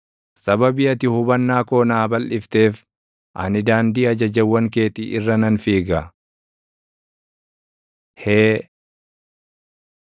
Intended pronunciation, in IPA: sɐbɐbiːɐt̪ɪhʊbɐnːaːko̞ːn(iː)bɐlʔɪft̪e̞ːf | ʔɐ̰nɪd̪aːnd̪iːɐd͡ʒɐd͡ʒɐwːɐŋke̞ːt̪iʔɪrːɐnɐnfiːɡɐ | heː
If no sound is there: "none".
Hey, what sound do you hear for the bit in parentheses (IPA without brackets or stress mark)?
aː